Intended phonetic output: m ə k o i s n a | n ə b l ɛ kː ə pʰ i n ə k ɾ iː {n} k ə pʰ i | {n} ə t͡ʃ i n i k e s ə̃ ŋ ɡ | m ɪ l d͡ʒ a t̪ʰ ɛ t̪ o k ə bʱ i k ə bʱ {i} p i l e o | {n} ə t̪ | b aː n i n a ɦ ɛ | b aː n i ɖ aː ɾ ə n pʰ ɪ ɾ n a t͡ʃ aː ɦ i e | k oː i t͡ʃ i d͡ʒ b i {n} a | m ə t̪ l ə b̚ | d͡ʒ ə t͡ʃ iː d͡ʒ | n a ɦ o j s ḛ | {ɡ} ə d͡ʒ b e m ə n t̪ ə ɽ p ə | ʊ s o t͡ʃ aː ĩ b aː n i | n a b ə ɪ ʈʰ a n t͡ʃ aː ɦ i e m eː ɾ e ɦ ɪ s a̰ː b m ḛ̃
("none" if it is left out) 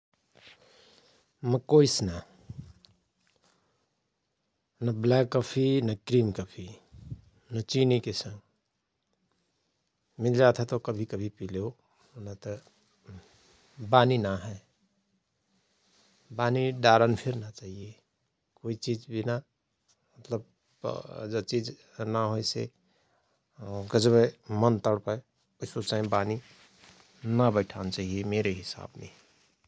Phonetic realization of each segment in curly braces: m, n, i, n, n, ɡ

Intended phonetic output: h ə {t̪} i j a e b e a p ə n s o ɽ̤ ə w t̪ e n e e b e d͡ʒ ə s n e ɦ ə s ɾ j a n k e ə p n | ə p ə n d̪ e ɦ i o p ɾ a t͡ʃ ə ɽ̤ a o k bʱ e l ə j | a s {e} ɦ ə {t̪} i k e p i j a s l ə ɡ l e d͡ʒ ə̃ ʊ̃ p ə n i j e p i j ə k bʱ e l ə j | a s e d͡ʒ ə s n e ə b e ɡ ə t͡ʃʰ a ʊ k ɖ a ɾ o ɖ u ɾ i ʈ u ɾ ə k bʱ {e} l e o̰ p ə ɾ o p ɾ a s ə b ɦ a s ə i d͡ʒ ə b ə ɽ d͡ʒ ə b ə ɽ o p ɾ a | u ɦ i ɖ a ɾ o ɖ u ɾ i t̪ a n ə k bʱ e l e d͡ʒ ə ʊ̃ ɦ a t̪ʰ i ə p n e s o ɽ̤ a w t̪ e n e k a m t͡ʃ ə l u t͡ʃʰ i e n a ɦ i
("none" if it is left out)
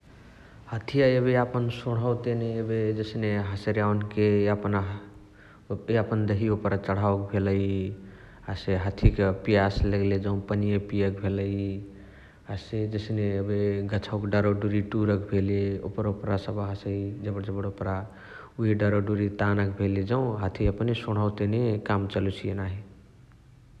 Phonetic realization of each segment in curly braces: t̪ʰ, e, t̪ʰ, e

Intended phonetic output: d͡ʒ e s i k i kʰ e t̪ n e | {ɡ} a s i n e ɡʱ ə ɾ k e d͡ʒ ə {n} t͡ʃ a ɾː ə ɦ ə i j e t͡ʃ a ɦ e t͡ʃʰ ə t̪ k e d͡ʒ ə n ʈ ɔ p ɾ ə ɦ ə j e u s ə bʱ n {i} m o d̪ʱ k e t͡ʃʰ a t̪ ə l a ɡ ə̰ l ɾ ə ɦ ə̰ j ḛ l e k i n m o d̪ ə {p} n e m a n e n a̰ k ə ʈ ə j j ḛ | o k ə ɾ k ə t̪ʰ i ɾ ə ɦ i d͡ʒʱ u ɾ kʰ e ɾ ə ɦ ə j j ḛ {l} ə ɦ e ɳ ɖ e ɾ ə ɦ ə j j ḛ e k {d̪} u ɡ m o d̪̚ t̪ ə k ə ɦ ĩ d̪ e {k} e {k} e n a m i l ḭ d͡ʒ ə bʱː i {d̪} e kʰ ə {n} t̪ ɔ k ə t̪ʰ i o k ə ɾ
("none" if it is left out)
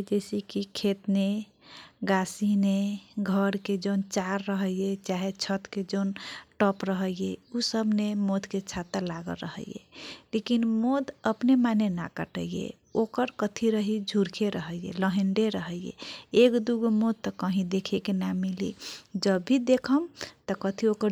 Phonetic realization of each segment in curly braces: ɡ, n, e, p, l, d̪, kʰ, k, d̪, m

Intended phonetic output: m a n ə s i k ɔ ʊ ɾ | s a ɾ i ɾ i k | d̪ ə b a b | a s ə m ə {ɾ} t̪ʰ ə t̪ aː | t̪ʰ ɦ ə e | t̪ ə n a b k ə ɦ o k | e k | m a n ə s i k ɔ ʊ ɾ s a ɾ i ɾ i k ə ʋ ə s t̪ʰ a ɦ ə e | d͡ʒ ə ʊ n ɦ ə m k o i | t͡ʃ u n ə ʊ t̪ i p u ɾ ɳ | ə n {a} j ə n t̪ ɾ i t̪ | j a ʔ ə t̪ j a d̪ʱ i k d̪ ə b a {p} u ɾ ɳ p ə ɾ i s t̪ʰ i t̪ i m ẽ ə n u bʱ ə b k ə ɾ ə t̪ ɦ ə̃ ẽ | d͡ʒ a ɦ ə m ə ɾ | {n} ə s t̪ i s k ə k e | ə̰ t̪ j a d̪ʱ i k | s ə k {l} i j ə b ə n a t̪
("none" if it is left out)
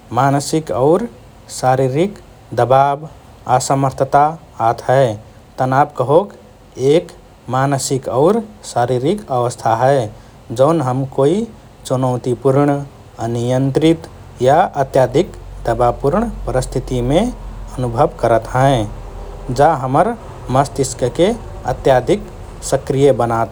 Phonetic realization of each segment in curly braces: ɾ, i, p, m, ɾ

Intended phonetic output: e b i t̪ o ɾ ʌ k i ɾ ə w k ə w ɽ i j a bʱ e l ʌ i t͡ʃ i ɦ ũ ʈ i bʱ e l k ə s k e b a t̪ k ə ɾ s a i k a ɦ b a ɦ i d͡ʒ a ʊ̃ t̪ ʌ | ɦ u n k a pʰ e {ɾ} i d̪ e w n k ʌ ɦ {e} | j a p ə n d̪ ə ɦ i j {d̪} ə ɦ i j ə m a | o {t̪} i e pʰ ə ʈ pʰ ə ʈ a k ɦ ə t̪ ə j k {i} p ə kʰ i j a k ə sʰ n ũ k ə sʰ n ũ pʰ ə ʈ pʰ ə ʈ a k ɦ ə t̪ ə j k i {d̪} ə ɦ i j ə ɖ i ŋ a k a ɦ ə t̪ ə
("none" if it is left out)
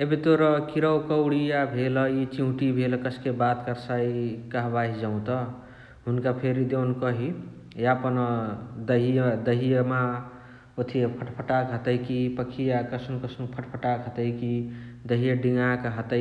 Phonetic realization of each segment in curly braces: ɾ, i, d̪, t̪ʰ, i, d̪

